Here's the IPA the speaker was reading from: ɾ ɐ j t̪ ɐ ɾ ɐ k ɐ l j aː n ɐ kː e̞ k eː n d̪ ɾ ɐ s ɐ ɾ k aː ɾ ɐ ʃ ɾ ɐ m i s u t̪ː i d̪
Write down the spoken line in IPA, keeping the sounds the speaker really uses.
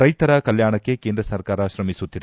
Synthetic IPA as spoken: ɾ ɐ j t̪ ɐ ɾ ɐ k ɐ l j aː ɳ ɐ kː e̞ k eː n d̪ ɾ ɐ s ɐ ɾ k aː ɾ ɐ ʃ ɾ ɐ m i s u t̪ː i d̪